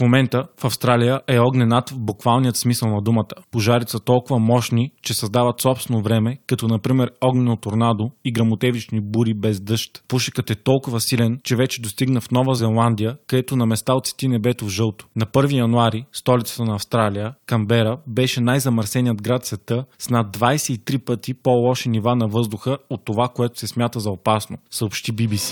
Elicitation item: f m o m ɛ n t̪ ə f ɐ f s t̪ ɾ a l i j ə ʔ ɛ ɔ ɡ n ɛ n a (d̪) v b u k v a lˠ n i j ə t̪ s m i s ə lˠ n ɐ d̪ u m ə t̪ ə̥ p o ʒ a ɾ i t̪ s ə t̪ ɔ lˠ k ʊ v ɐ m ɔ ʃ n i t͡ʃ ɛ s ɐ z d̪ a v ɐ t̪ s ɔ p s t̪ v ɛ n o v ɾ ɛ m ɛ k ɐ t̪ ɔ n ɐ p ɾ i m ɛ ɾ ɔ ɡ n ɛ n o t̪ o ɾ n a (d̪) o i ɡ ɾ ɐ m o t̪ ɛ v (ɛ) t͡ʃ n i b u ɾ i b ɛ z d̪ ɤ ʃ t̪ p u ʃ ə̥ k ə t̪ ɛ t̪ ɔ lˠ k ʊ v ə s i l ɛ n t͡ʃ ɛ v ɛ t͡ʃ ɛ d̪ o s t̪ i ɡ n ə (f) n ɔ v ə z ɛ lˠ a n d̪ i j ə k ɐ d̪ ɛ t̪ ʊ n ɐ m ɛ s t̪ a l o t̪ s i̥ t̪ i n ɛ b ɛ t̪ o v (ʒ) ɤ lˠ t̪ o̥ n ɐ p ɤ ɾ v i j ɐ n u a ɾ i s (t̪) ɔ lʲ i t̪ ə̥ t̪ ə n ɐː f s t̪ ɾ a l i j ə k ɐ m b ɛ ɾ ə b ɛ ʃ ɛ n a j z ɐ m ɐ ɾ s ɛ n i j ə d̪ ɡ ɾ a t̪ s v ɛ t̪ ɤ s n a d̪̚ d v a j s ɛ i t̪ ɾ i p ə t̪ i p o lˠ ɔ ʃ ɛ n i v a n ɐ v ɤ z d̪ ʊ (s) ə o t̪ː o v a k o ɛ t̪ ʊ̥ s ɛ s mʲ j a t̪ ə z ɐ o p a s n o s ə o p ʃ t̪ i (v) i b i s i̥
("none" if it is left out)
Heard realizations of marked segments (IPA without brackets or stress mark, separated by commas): t̪, d̪, i, f, ʒ, t̪, x, b